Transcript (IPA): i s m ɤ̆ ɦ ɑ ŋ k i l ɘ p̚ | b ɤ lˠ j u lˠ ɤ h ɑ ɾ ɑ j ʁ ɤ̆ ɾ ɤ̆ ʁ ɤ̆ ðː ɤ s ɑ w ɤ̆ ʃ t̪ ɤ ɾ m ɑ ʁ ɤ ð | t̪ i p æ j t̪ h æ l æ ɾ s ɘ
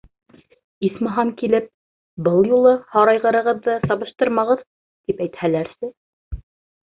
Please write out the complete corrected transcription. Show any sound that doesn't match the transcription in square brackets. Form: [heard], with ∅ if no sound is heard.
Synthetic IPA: i s m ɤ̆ ɦ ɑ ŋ k i l ɘ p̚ | b ɤ lˠ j u lˠ ɤ h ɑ ɾ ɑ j ʁ ɤ̆ ɾ ɤ̆ ʁ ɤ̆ ðː ɤ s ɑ [β] ɤ̆ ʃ t̪ ɤ ɾ m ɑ ʁ ɤ ð | t̪ i p æ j t̪ h æ l æ ɾ s ɘ